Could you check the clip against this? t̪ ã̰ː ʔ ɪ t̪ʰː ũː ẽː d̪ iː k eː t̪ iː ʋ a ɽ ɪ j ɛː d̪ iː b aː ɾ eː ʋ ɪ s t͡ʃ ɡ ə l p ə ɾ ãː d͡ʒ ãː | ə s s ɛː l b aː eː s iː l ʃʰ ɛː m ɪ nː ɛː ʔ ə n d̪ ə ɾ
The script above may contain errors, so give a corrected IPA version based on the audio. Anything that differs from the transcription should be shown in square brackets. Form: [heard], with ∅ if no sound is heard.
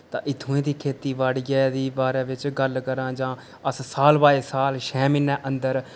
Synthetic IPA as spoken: t̪ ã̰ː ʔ ɪ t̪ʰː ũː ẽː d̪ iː [kʰ] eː t̪ iː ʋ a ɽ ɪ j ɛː d̪ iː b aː ɾ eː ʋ ɪ [∅] t͡ʃ ɡ ə l [k] ə ɾ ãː d͡ʒ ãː | ə s s [aː] l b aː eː s [aː] l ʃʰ ɛː m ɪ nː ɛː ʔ ə n d̪ ə ɾ